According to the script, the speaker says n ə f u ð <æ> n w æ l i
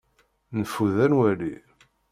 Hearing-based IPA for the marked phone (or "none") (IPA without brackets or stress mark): æ